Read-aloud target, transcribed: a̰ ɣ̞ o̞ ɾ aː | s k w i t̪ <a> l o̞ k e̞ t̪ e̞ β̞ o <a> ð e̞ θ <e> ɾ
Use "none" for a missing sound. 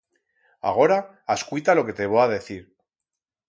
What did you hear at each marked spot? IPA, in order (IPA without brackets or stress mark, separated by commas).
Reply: a, a, i